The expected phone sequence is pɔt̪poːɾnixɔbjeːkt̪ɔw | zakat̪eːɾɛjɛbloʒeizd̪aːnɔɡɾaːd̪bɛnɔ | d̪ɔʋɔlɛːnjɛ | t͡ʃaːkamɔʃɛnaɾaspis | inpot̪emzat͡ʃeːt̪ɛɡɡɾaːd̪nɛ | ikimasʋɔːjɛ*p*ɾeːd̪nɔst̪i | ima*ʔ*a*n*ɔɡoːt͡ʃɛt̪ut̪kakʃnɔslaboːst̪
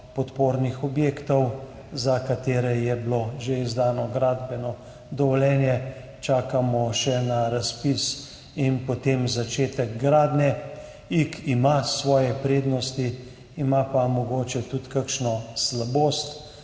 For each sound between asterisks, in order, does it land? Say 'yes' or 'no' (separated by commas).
yes, no, no